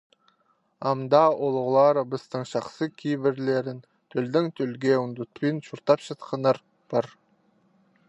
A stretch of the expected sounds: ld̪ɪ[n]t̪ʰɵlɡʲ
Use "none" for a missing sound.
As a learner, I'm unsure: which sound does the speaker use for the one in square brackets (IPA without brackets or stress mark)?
ŋ